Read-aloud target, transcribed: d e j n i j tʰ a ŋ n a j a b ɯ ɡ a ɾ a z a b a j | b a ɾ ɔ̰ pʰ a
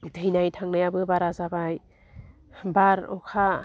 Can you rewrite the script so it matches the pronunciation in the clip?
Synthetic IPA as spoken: d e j n a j tʰ a ŋ n a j a b ɯ b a ɾ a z a b a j | b a ɾ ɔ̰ kʰ a